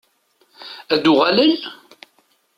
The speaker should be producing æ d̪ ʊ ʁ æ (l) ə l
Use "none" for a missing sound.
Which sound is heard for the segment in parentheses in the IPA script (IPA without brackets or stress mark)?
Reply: l